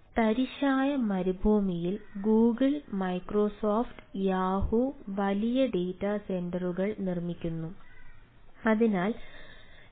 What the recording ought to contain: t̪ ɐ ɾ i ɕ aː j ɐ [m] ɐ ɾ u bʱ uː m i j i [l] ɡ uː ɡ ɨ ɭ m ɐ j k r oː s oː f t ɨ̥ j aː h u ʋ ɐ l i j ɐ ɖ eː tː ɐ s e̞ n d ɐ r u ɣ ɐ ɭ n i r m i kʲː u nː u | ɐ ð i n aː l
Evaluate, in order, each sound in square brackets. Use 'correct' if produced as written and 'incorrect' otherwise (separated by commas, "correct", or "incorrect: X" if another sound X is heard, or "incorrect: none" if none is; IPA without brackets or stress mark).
correct, correct